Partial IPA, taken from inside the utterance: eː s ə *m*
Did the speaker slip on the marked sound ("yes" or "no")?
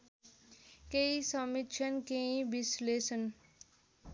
yes